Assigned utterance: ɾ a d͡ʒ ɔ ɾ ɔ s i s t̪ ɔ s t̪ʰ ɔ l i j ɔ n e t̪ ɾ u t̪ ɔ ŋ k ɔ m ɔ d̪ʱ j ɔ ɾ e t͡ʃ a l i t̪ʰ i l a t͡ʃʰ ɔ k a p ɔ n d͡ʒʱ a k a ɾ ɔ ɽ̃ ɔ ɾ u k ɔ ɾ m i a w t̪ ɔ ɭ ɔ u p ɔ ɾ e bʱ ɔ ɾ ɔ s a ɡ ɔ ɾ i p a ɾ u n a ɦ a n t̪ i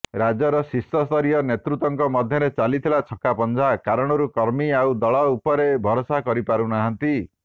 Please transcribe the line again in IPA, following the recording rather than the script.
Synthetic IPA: ɾ a d͡ʒ ɔ ɾ ɔ s i s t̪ ɔ s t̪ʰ ɔ ɾ i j ɔ n e t̪ ɾ u t̪ ɔ ŋ k ɔ m ɔ d̪ʱ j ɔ ɾ e t͡ʃ a l i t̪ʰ i l a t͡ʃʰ ɔ k a p ɔ n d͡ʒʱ a k a ɾ ɔ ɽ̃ ɔ ɾ u k ɔ ɾ m i a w d̪ ɔ ɭ ɔ u p ɔ ɾ e bʱ ɔ ɾ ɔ s a k ɔ ɾ i p a ɾ u n a ɦ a n t̪ i